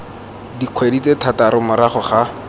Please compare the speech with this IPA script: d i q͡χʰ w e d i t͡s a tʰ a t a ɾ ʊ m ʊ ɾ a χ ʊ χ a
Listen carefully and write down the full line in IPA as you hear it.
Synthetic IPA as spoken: d i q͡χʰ w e d i t͡s e tʰ a t a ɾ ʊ m ʊ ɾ a χ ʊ χ a